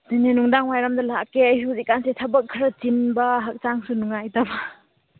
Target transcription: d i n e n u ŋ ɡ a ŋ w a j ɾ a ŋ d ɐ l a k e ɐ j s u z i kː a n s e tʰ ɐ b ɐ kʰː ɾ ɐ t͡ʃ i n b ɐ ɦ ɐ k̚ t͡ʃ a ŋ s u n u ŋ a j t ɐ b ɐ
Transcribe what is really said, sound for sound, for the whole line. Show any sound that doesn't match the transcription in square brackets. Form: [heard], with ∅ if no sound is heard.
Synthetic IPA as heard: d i n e n u ŋ [d] a ŋ w a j ɾ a [m] d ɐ l a k e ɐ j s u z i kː a n s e tʰ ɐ b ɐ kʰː ɾ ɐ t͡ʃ i n b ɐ ɦ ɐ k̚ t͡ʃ a ŋ s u n u ŋ a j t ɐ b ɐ